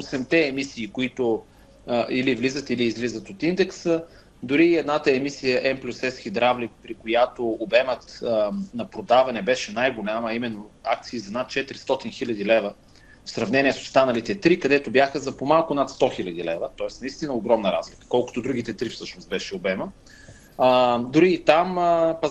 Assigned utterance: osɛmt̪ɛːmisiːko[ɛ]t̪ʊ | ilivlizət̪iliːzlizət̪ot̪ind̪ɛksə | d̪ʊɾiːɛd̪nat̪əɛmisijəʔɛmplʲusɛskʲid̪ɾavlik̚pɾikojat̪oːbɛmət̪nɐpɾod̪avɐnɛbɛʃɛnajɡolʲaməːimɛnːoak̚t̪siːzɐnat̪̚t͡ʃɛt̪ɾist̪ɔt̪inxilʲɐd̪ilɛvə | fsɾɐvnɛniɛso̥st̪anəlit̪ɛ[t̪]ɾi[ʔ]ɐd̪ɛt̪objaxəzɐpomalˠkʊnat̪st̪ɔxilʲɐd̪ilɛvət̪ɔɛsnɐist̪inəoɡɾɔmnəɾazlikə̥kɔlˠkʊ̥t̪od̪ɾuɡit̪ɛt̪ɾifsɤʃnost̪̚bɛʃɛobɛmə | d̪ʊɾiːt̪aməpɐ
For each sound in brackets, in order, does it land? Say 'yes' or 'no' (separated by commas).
no, yes, no